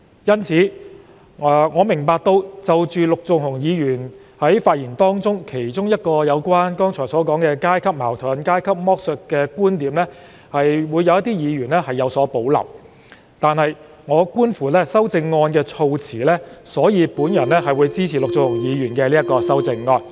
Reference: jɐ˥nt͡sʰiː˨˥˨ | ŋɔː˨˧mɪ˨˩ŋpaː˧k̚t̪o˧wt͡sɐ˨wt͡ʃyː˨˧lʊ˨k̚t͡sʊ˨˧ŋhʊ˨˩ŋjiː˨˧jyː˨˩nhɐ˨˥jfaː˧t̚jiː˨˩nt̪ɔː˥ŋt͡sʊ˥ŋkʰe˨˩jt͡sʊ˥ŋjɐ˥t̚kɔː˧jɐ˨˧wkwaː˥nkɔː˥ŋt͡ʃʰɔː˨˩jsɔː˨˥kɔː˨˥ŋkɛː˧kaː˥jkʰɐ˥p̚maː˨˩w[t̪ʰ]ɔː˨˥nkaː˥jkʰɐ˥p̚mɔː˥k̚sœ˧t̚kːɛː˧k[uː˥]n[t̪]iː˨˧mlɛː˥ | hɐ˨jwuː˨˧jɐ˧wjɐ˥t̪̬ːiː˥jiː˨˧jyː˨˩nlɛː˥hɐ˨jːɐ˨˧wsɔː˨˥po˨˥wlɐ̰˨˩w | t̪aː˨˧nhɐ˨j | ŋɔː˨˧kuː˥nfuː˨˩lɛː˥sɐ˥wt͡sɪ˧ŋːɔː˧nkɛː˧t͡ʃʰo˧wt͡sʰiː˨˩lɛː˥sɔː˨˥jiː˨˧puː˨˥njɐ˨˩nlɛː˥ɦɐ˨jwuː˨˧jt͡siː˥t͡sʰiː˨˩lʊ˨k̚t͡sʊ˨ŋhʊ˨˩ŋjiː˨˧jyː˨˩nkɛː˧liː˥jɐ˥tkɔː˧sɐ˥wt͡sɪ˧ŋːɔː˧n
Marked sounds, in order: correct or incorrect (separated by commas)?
correct, correct, correct